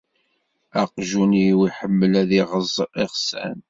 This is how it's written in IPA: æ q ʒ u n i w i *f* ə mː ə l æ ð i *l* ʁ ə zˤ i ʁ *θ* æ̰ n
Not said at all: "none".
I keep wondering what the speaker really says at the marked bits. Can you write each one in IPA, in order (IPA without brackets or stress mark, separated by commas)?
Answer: ħ, none, s